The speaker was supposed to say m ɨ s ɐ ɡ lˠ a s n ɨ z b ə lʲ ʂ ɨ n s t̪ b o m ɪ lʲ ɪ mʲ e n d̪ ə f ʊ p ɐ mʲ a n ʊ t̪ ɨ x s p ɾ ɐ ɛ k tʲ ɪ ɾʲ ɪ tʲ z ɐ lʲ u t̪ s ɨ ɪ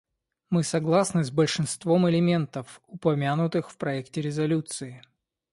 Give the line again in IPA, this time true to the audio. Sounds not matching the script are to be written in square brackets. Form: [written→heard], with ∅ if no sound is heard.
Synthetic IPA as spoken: m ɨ s ɐ ɡ lˠ a s n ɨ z b ə lʲ ʂ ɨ n s t̪ [b→v] o m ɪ lʲ ɪ mʲ e n [d̪→t̪] ə f ʊ p ɐ mʲ a n ʊ t̪ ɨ x [s→f] p ɾ ɐ ɛ k tʲ ɪ ɾʲ ɪ [tʲ→∅] z ɐ lʲ u t̪ s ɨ ɪ